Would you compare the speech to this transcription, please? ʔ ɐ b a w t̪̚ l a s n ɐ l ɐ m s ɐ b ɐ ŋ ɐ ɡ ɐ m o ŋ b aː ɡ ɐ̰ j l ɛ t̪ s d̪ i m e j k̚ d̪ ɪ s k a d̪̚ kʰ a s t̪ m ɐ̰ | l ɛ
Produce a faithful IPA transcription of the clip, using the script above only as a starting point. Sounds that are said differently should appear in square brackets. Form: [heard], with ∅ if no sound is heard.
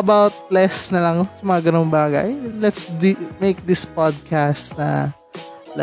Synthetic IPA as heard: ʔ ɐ b a w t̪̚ l [ɛ] s n ɐ l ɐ [ŋ] s ɐ [m] ɐ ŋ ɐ ɡ ɐ [n] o ŋ b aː ɡ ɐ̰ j l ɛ t̪ s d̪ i m e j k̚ d̪ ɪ s [p] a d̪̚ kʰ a s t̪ [n] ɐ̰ | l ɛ